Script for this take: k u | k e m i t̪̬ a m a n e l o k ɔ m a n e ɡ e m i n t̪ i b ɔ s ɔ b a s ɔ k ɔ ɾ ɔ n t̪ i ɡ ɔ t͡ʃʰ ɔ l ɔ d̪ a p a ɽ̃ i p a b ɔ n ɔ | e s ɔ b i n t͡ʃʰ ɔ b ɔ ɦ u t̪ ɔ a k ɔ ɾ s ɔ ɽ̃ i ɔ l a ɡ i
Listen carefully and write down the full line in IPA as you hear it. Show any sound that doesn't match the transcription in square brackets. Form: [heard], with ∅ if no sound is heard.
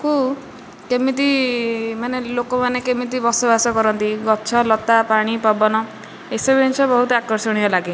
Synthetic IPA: k u | k e m i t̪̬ [i] m a n e l o k ɔ m a n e [k] e m i [∅] t̪ i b ɔ s ɔ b a s ɔ k ɔ ɾ ɔ n t̪ i ɡ ɔ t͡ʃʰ ɔ l ɔ [t̪] a p a ɽ̃ i p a b ɔ n ɔ | e s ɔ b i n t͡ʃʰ ɔ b ɔ ɦ u t̪ ɔ a k ɔ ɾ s ɔ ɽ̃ i ɔ l a ɡ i